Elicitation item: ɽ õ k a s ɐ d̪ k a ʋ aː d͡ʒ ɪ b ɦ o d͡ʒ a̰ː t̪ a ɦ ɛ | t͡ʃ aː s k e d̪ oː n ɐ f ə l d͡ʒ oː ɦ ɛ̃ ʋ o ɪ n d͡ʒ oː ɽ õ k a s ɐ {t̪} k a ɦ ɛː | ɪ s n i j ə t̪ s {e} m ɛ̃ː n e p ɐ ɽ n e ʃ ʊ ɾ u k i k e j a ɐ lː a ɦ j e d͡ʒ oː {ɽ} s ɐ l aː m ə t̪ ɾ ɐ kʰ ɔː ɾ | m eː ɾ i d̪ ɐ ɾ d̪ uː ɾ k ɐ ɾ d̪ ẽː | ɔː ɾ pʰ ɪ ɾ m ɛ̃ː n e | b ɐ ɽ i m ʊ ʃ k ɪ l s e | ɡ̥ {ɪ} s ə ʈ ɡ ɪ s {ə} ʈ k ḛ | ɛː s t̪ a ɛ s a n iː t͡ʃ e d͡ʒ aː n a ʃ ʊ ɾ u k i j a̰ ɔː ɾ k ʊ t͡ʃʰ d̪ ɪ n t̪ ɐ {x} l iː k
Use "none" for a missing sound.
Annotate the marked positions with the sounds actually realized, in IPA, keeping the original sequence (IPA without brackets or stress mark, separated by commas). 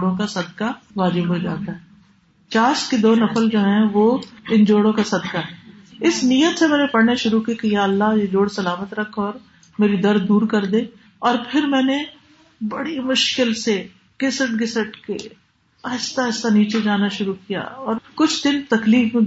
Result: d̪, e, ɽ, ɪ, ə, k